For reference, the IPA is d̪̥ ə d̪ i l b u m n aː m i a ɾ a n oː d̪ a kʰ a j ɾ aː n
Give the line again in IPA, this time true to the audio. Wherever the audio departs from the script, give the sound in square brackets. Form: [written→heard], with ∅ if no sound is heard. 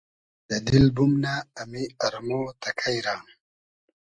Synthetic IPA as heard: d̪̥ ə d̪ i l b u m n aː m i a ɾ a [n→m] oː [d̪→t̪] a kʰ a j ɾ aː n